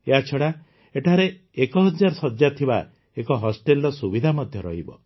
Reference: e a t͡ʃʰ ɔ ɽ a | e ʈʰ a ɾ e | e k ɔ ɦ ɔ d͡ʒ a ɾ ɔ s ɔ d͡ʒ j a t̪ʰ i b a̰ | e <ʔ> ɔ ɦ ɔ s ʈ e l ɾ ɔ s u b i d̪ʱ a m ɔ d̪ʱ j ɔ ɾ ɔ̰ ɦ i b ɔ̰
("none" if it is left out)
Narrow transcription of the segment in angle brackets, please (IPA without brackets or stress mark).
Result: k